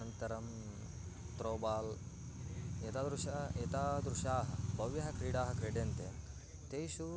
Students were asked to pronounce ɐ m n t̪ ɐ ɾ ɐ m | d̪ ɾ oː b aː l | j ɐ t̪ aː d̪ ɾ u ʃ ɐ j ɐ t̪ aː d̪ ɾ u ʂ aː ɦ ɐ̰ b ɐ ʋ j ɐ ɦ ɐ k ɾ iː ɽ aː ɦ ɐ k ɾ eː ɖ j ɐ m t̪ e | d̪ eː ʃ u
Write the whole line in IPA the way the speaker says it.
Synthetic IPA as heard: ɐ n t̪ ɐ ɾ ɐ m | t̪ ɾ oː b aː l | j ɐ t̪ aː d̪ ɾ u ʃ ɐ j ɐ t̪ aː d̪ ɾ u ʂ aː ɦ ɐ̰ b ɐ ʋ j ɐ ɦ ɐ k ɾ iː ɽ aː ɦ ɐ k ɾ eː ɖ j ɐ n t̪ e | t̪ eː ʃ u